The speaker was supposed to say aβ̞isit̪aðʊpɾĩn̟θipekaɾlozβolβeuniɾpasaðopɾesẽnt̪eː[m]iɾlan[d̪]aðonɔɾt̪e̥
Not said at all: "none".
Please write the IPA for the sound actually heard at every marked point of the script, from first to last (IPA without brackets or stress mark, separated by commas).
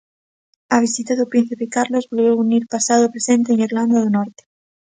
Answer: ŋ, d̪